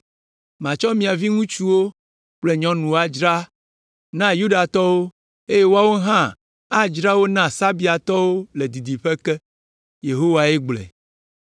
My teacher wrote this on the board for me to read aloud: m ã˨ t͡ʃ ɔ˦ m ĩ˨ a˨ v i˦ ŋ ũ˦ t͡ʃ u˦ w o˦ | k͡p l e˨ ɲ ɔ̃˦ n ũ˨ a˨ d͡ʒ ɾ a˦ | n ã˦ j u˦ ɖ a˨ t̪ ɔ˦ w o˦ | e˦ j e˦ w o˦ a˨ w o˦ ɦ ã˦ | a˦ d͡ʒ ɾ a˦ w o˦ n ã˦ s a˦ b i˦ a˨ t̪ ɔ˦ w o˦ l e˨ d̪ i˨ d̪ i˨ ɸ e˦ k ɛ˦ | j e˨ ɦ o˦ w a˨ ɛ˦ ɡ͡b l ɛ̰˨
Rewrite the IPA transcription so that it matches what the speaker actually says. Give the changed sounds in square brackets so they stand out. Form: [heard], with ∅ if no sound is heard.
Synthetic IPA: m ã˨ t͡ʃ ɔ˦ m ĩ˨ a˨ v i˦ ŋ ũ˦ t͡ʃ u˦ w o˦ | k͡p l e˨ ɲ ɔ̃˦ n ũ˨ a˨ d͡ʒ ɾ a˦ | n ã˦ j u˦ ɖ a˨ t̪ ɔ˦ w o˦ | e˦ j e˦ w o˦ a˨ w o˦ ɦ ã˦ | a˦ d͡ʒ ɾ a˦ w o˦ n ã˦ s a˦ b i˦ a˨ t̪ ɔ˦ w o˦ l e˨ d̪ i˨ d̪ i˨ ɸ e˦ k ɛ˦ | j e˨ ɦ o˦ w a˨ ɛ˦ ɡ͡b l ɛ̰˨